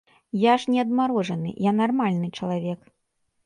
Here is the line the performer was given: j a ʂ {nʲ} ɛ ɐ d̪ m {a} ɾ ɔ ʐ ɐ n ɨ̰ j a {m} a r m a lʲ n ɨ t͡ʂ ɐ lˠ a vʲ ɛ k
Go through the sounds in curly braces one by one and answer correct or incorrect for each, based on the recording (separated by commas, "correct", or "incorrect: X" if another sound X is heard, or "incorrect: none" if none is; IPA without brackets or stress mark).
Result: correct, correct, incorrect: n